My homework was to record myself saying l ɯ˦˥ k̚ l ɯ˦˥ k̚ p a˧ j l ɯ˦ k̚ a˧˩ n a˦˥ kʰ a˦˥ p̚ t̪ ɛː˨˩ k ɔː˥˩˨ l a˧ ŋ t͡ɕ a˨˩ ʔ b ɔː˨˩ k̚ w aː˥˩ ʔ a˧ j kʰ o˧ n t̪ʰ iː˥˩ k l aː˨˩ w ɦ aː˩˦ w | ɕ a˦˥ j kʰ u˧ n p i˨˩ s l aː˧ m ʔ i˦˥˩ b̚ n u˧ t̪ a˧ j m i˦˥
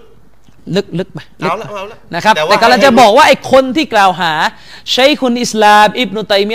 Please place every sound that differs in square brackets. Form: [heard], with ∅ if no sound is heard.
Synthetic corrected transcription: l ɯ˦˥ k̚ l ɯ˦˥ k̚ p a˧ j l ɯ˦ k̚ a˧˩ n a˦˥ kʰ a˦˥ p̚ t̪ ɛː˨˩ k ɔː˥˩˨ l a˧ ŋ t͡ɕ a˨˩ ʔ b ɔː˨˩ k̚ w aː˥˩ ʔ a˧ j kʰ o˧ n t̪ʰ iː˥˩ k l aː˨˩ w ɦ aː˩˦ [∅] | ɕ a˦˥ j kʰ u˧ n [ʔ] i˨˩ s l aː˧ m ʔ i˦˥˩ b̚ n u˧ t̪ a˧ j m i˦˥